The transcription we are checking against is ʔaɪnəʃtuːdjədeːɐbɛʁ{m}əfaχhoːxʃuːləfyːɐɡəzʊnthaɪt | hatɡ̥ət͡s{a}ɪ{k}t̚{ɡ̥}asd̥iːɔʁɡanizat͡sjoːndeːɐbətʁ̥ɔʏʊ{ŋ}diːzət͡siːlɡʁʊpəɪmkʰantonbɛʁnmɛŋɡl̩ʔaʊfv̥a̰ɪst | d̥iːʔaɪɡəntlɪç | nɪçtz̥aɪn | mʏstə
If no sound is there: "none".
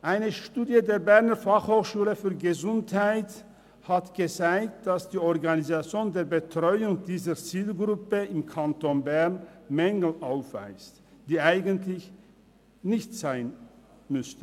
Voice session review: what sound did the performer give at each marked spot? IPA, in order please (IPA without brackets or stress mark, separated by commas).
n, a, k, d̥, ŋ